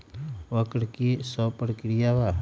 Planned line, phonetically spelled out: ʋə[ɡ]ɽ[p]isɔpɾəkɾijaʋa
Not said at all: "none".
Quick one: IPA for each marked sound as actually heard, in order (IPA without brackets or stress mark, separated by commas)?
k, k